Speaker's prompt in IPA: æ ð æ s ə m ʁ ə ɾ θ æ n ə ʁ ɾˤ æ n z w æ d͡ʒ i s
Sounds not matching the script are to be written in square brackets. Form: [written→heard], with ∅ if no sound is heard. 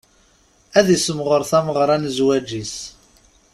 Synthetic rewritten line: æ ð [æ→i] s ə m ʁ ə ɾ θ æ [n→m] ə ʁ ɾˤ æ n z w æ d͡ʒ i s